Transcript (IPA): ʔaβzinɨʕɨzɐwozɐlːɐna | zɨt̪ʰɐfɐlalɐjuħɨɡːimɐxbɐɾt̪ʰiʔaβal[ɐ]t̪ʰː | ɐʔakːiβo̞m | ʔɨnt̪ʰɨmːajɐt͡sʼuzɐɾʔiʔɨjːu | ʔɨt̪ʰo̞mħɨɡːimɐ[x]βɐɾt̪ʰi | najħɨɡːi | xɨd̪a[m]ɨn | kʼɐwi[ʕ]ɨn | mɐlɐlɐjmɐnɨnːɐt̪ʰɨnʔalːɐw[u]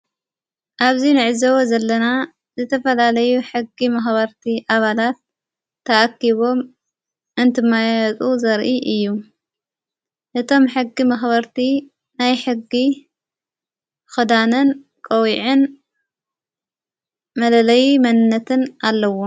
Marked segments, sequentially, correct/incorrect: incorrect: a, correct, incorrect: n, correct, incorrect: o

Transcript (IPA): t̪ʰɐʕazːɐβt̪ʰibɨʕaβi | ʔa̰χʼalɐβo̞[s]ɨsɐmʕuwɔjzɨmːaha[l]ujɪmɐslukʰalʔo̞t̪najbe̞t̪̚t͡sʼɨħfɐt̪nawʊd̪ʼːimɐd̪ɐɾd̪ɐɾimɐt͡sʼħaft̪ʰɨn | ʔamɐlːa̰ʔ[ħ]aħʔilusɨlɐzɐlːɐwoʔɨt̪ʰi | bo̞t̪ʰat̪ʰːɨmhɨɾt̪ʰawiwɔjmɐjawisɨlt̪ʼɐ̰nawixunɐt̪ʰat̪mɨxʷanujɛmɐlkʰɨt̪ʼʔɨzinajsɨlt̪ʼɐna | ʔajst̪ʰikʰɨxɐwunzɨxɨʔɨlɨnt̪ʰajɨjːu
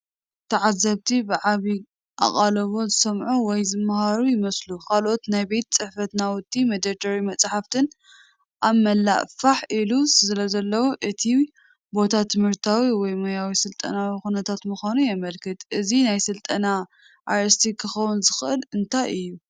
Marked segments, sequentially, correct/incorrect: incorrect: z, incorrect: ɾ, incorrect: f

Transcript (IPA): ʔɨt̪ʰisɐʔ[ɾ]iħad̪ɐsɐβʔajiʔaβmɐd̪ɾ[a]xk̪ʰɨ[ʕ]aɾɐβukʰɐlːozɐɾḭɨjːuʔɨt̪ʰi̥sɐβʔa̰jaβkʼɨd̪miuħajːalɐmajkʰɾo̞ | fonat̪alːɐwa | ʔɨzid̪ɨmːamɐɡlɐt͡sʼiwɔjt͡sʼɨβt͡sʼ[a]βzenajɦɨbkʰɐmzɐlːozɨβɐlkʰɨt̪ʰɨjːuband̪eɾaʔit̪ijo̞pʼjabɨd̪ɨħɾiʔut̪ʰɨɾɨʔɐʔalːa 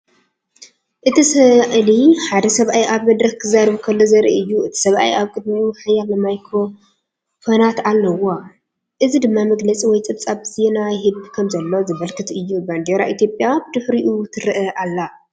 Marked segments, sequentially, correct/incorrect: incorrect: l, incorrect: ɐ, incorrect: z, correct

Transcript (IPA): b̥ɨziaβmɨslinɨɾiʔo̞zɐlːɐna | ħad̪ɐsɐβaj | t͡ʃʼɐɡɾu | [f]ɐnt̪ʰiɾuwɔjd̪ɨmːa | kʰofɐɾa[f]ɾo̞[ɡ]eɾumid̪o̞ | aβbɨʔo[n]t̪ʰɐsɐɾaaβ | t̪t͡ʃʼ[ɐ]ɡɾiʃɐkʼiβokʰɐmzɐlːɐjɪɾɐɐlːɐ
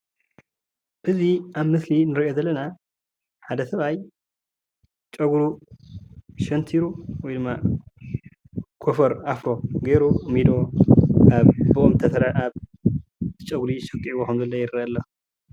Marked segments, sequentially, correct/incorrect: incorrect: ʃ, correct, correct, incorrect: m, correct

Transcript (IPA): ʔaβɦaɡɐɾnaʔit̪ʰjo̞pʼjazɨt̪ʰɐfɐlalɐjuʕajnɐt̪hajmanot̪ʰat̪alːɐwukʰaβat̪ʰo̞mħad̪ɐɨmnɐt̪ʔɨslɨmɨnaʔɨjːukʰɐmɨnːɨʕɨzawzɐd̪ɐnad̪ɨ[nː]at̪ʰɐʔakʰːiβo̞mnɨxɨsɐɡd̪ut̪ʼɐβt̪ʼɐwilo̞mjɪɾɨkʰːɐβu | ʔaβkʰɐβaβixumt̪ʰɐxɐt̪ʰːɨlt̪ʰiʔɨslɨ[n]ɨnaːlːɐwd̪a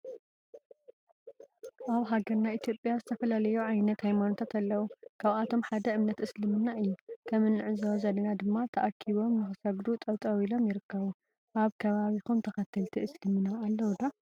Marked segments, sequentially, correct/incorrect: incorrect: mː, incorrect: m

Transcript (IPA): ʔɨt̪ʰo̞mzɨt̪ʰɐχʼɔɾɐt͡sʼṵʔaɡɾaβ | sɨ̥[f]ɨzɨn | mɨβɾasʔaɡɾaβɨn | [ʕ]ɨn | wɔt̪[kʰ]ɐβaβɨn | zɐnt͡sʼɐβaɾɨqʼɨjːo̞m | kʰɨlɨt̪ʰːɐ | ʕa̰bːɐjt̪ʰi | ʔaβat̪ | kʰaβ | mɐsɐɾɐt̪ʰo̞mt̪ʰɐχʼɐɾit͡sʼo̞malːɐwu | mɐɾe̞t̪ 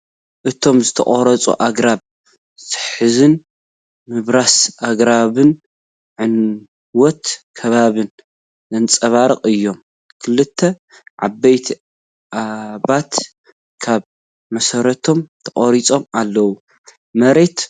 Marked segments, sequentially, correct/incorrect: incorrect: ħ, correct, correct

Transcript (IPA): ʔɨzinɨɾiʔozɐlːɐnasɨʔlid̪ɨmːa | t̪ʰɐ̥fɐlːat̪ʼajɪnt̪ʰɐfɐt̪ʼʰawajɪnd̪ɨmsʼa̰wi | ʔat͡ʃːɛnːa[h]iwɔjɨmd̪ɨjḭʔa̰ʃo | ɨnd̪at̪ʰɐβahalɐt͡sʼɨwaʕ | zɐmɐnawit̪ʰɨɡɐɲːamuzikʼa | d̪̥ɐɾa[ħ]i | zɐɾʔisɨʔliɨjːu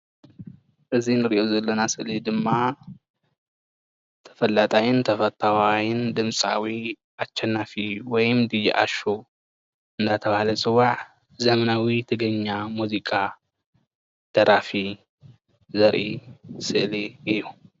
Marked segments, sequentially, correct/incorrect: incorrect: f, incorrect: f

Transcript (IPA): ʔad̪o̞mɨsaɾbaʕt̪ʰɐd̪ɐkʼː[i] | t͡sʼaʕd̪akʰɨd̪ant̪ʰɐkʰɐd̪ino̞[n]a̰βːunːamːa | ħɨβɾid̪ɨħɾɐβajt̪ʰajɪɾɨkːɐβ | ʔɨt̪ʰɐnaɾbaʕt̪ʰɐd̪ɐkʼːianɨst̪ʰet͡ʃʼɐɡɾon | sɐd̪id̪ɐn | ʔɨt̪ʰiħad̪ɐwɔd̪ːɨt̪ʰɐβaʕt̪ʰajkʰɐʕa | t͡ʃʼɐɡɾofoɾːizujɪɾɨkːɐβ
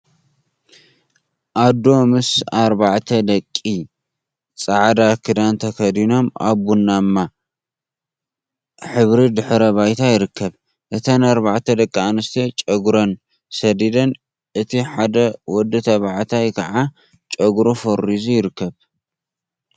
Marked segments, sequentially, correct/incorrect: correct, incorrect: m

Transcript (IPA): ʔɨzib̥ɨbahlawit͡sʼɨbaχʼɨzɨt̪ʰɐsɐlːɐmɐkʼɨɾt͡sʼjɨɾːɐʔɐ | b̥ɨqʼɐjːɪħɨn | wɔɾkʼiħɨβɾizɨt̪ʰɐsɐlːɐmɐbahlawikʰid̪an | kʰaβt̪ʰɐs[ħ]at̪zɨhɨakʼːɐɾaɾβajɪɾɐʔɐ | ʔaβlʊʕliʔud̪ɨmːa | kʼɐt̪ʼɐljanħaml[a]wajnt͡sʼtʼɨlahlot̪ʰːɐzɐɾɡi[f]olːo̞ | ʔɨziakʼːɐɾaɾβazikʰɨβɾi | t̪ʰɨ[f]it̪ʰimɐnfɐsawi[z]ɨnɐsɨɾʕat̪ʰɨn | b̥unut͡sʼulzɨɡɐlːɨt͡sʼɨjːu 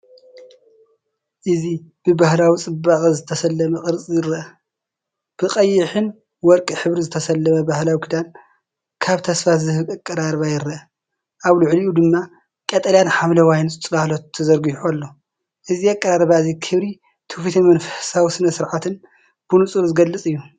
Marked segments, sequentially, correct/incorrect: incorrect: f, incorrect: ɐ, incorrect: ħ, correct, incorrect: s

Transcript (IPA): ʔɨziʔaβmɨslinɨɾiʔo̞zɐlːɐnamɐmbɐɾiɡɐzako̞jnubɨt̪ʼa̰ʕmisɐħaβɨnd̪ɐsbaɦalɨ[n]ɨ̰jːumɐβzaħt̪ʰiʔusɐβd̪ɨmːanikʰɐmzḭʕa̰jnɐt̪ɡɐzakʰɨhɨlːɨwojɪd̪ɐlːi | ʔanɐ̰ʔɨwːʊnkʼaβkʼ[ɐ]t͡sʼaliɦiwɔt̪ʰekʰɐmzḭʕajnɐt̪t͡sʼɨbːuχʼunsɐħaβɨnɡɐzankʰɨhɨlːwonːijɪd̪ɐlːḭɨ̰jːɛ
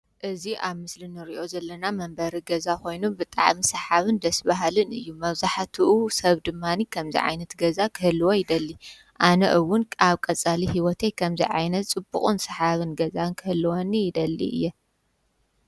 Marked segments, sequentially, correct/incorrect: correct, correct

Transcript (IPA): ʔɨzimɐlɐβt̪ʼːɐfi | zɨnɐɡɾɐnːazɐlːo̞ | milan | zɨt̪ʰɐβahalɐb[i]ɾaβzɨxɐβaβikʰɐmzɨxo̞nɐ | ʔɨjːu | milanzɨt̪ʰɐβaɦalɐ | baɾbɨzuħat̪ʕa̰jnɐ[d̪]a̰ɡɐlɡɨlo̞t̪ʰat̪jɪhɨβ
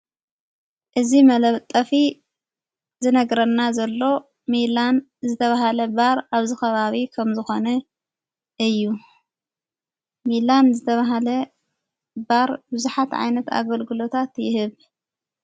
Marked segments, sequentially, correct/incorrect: incorrect: a, incorrect: t̪

